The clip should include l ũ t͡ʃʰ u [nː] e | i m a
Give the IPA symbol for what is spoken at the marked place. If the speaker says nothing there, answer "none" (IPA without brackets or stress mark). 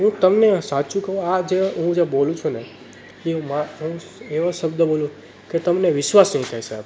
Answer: n